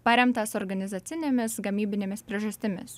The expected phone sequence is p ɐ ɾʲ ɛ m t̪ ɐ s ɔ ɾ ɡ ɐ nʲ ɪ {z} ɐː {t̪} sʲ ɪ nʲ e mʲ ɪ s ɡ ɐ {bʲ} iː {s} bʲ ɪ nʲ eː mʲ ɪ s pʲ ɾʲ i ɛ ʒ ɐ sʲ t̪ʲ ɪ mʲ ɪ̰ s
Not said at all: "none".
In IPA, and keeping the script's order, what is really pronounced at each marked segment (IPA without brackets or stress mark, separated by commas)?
z, t̪, mʲ, none